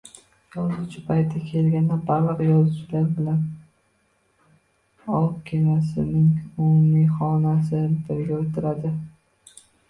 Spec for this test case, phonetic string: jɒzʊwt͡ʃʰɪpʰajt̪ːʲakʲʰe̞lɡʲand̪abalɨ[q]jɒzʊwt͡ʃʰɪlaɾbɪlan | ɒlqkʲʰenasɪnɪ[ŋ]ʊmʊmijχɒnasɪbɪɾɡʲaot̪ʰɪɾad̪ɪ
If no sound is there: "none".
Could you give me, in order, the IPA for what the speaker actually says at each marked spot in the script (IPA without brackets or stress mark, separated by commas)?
q, ŋ